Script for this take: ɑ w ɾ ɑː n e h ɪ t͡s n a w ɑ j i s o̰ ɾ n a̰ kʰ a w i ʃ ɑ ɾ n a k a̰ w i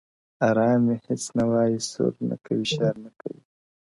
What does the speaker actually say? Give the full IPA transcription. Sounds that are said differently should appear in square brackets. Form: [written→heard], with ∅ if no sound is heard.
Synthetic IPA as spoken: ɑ [w→∅] ɾ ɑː [n→m] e h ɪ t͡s n a w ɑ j i s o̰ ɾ n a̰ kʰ a w i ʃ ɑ ɾ n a k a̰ w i